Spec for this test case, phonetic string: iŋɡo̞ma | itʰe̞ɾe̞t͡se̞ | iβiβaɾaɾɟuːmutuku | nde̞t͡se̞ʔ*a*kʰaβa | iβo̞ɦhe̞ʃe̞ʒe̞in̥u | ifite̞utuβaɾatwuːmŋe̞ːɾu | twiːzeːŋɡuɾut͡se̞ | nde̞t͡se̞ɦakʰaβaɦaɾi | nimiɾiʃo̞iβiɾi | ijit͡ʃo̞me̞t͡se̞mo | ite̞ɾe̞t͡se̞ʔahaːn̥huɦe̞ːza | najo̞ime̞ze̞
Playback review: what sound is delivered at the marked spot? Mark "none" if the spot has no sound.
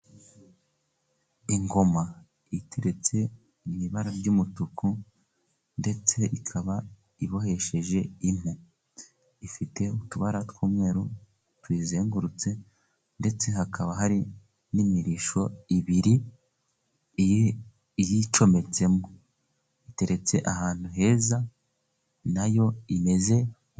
i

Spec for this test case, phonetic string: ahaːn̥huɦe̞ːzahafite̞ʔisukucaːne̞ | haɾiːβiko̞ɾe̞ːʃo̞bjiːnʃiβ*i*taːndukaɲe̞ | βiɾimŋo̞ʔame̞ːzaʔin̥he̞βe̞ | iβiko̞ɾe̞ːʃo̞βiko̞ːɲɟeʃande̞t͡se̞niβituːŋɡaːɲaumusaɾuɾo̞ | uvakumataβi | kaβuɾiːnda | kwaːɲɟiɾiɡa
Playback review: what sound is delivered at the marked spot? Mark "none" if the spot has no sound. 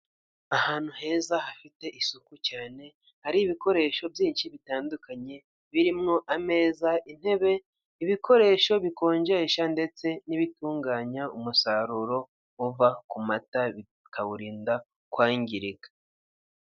i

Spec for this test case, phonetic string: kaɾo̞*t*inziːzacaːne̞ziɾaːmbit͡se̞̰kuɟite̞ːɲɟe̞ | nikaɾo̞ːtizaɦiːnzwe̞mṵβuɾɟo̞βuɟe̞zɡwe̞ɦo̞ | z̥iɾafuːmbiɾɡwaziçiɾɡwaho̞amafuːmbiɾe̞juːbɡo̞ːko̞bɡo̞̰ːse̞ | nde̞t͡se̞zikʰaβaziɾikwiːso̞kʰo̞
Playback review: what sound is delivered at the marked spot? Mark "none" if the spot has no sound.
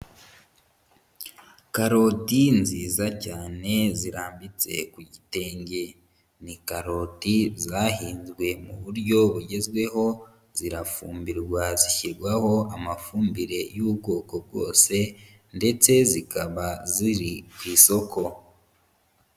t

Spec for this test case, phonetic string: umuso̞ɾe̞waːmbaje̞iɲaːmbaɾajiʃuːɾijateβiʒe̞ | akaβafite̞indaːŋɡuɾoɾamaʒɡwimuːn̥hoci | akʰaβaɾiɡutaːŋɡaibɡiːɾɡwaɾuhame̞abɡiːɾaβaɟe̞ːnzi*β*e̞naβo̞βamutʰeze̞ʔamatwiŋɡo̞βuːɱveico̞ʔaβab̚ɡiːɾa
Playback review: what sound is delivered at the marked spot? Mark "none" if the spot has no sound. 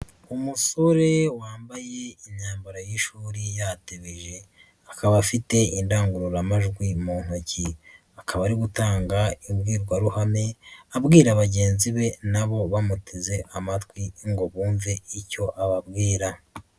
β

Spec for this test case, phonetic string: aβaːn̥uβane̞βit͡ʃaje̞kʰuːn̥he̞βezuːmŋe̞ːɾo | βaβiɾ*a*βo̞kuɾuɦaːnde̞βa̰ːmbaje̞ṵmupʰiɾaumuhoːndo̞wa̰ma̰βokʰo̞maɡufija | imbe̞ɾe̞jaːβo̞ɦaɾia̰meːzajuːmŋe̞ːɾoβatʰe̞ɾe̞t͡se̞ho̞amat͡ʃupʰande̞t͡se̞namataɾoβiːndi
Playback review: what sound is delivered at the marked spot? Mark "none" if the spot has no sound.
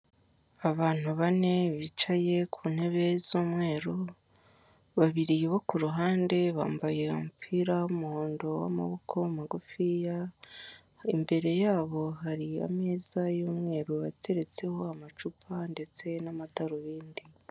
i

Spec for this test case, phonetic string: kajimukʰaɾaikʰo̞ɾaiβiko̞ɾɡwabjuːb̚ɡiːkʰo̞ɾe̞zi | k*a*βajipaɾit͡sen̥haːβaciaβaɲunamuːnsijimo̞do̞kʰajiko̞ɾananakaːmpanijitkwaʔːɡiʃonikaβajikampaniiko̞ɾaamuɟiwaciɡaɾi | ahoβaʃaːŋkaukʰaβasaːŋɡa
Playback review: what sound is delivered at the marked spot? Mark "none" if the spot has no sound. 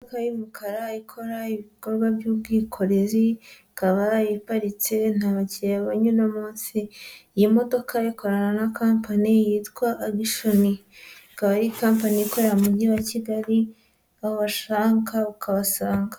a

